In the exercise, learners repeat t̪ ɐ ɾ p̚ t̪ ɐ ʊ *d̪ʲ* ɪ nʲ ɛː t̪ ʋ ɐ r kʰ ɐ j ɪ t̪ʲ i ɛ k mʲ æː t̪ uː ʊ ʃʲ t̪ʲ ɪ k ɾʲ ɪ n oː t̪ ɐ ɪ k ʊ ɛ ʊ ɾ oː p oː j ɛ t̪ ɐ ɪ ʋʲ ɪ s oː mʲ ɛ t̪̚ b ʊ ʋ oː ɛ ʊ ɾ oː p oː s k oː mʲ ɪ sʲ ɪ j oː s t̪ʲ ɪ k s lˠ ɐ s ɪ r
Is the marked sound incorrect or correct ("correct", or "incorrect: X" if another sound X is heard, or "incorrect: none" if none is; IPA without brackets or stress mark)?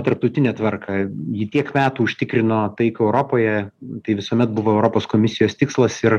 incorrect: t̪ʲ